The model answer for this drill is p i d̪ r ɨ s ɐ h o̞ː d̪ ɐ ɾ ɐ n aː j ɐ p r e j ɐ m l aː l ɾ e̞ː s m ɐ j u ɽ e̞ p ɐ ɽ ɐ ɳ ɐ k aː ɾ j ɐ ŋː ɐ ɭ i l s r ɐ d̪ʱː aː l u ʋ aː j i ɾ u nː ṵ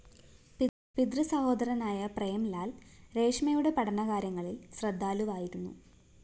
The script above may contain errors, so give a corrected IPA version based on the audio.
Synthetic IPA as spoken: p i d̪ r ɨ s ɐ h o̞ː d̪ ɐ ɾ ɐ n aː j ɐ p r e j ɐ m l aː l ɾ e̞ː ʂ m ɐ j u ɽ e̞ p ɐ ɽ ɐ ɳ ɐ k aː ɾ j ɐ ŋː ɐ ɭ i l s r ɐ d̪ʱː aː l u ʋ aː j i ɾ u nː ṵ